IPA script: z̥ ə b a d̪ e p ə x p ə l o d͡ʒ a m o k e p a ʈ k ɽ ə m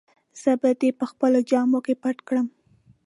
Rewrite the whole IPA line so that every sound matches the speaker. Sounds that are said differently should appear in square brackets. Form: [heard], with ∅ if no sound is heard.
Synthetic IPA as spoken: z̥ ə b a d̪ e p ə x p ə l o d͡ʒ [ɑ] m o k e p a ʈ k ɽ ə m